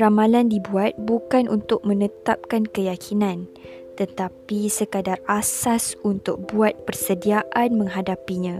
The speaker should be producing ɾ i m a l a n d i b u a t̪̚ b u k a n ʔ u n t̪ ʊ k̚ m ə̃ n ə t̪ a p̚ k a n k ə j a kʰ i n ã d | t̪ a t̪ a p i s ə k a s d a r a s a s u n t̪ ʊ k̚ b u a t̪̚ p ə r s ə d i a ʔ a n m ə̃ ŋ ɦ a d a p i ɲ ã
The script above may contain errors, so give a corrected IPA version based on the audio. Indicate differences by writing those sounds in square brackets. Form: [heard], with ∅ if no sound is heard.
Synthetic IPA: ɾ [a] m a l a n d i b u a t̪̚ b u k a n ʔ u n t̪ ʊ k̚ m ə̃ n ə t̪ a p̚ k a n k ə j a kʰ i n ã [n] | t̪ [ə] t̪ a p i s ə k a [∅] d a r a s a s u n t̪ ʊ k̚ b u a t̪̚ p ə r s ə d i a ʔ a n m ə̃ ŋ ɦ a d a p i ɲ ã